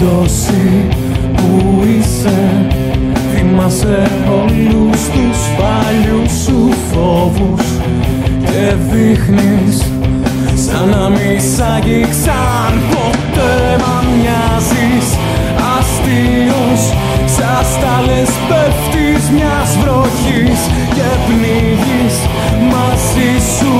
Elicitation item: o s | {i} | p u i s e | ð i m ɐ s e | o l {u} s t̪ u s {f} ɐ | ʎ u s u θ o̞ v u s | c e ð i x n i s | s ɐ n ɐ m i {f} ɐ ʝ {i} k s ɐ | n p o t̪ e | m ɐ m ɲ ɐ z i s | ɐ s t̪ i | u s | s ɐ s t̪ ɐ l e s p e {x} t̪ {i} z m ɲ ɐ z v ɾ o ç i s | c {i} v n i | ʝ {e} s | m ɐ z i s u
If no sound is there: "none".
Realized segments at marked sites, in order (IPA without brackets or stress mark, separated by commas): i, u, f, s, i, f, i, e, i